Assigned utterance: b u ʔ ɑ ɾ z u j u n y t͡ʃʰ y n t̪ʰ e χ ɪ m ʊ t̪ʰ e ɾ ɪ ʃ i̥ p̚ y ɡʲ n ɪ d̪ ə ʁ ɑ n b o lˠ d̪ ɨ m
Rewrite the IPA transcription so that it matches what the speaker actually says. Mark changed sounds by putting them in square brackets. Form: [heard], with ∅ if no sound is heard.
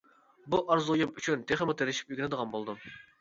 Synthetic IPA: b u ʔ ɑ ɾ z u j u [m] y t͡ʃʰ y n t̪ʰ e χ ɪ m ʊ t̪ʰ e ɾ ɪ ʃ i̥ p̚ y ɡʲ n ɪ d̪ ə ʁ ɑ n b o lˠ d̪ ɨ m

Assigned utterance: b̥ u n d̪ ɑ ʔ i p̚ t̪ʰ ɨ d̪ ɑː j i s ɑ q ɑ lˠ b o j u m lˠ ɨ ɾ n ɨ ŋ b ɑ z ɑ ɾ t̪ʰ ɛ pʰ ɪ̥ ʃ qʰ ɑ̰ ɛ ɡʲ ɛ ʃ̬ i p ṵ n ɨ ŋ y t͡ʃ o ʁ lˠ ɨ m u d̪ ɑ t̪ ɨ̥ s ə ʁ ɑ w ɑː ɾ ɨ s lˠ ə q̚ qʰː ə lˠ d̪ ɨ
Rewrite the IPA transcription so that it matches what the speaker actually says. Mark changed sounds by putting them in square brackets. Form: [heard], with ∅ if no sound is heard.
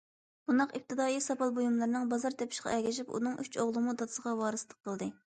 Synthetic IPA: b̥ u n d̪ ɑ [q] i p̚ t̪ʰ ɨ d̪ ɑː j i s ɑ [p] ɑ lˠ b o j u m lˠ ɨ ɾ n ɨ ŋ b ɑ z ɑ ɾ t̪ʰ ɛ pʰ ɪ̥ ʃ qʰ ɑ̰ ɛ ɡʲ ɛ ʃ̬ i p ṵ n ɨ ŋ y t͡ʃ o ʁ lˠ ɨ m u d̪ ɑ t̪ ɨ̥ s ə ʁ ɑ w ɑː ɾ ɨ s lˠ ə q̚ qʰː ə lˠ d̪ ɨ

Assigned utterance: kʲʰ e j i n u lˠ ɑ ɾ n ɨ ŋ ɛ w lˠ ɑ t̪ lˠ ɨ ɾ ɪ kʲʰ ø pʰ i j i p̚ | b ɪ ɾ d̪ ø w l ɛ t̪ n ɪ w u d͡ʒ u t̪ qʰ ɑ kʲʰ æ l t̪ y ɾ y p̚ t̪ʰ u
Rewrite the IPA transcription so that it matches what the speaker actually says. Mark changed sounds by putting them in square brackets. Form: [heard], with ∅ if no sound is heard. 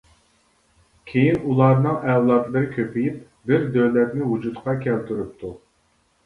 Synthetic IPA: kʲʰ e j i n u lˠ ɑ ɾ n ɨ ŋ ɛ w lˠ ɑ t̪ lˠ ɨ ɾ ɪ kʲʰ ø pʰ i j i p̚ | b ɪ ɾ d̪ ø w l ɛ t̪ n ɪ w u d͡ʒ u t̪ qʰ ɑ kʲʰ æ l t̪ y ɾ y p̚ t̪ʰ u

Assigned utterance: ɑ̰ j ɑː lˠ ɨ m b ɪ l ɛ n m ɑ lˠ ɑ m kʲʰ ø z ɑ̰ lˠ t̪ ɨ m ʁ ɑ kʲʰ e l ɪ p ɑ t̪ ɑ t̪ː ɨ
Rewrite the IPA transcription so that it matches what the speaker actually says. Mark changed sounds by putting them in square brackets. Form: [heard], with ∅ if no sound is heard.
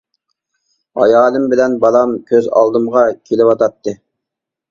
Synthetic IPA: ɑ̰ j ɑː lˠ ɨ m b ɪ l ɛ n [b] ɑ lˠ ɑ m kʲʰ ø z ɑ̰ lˠ [d̪] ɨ m ʁ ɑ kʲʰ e l ɪ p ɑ t̪ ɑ t̪ː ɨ

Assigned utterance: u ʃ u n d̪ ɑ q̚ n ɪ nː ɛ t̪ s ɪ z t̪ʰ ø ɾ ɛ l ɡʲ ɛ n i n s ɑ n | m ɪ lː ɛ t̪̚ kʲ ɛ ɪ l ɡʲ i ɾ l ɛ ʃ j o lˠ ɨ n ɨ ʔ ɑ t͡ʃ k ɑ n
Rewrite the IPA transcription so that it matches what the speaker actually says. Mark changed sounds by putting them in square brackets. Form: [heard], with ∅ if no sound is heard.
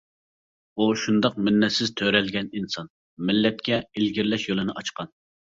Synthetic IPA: u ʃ u n d̪ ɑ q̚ [m] ɪ nː ɛ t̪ s ɪ z t̪ʰ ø ɾ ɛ l ɡʲ ɛ n i n s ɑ n | m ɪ lː ɛ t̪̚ kʲ ɛ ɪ l ɡʲ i ɾ l ɛ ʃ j o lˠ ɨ n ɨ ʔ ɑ t͡ʃ [q] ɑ n

